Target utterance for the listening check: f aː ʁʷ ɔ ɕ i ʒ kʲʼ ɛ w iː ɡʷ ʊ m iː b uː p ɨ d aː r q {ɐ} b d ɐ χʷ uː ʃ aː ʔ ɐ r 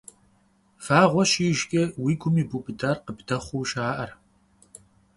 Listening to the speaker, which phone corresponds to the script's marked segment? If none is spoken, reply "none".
ə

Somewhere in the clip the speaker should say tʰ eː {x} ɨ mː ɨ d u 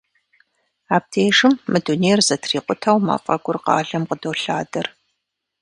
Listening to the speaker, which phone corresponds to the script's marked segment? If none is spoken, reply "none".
ʂ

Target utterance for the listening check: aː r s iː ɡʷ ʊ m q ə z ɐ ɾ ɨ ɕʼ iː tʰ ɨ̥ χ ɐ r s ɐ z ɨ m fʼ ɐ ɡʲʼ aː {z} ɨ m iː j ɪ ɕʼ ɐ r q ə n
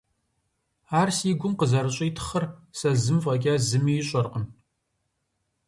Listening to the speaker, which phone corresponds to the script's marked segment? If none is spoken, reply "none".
z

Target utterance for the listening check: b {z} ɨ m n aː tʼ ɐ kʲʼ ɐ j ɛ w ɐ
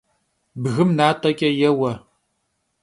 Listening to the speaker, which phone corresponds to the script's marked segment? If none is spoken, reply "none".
ɣ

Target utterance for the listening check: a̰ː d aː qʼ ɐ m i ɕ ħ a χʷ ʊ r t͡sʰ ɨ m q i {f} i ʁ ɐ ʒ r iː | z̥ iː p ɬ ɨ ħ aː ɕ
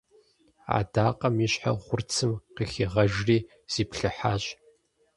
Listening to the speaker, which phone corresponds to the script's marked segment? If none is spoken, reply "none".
x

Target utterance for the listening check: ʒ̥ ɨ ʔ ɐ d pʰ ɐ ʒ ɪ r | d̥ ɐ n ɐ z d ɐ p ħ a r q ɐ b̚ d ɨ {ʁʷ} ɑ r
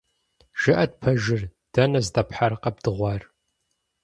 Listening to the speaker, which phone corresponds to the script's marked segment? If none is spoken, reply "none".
ʁʷ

